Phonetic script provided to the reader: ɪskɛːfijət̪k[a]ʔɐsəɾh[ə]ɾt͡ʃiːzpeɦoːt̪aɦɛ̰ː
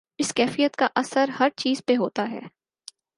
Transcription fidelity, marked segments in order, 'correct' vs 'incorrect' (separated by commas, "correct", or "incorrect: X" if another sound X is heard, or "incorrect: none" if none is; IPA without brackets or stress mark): correct, incorrect: ɐ